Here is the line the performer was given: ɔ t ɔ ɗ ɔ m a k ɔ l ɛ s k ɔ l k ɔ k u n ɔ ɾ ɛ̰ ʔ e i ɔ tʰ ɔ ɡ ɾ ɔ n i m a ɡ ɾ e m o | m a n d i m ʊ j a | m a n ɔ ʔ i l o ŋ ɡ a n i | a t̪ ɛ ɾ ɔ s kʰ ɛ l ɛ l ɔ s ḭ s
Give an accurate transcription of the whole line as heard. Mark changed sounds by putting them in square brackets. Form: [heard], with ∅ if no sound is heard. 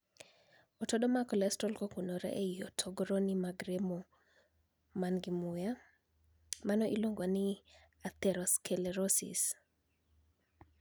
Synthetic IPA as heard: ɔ t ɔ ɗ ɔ m a k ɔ l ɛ s [t] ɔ l k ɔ k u n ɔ ɾ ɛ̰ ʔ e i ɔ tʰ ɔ ɡ ɾ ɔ n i m a ɡ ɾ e m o | m a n [ɡ] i m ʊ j a | m a n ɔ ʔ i l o ŋ ɡ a n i | a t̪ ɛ ɾ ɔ s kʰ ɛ l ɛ [ɾ] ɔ s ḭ s